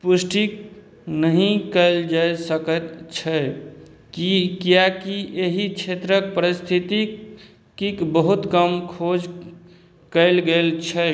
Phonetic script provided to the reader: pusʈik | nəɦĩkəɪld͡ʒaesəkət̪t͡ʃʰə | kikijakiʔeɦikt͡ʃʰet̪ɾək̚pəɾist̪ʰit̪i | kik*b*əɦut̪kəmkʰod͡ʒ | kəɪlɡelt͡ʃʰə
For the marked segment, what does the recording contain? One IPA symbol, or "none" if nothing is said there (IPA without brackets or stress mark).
b